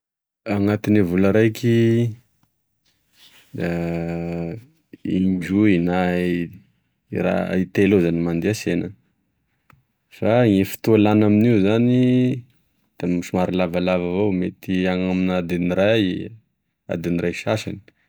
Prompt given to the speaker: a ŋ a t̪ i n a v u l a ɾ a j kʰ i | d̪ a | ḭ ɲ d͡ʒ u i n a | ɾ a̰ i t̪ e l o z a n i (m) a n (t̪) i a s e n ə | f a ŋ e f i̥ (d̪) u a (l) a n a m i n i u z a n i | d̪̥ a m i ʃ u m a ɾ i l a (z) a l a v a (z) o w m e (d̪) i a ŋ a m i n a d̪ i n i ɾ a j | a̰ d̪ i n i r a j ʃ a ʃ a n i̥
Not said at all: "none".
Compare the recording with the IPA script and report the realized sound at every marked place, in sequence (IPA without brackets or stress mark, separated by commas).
m, d̪, t̪, l, v, v, t̪